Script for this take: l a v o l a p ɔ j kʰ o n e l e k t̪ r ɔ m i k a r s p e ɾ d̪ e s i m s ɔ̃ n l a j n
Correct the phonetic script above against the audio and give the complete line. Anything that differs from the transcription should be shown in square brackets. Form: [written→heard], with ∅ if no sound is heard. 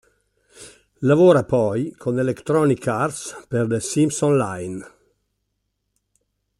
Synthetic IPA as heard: l a v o [l→ɾ] a p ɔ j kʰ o n e l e k t̪ [r→ɾ] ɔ [m→n] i k a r s p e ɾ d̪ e s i m s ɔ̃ n l a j n